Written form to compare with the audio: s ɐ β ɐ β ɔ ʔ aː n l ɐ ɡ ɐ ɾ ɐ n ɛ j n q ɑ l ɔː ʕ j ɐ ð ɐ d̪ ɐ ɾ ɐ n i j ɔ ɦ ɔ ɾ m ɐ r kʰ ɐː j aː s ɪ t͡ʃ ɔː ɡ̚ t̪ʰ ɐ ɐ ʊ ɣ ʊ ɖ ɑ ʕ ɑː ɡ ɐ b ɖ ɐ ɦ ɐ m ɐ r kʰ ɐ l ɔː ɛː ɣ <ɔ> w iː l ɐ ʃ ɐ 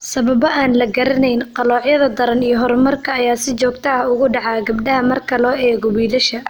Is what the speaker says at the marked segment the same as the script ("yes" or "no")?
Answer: yes